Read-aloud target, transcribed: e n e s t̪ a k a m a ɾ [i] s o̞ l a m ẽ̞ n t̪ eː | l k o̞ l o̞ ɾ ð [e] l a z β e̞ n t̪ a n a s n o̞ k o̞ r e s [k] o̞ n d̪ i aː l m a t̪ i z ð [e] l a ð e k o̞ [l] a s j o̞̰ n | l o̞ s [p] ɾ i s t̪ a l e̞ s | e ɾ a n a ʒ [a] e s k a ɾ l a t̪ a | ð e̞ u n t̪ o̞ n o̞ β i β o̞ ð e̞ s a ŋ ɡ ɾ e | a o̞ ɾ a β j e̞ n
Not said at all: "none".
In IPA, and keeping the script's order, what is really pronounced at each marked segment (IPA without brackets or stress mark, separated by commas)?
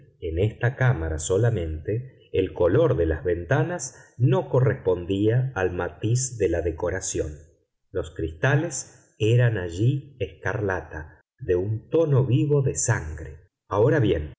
a, e, p, e, ɾ, k, i